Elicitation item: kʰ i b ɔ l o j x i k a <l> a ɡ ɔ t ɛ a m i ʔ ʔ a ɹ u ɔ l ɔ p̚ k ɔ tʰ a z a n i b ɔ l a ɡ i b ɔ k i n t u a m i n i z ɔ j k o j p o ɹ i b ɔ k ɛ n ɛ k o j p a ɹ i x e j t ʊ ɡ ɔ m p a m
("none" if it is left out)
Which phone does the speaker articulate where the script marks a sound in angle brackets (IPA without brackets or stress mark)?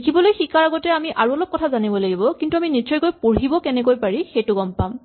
ɹ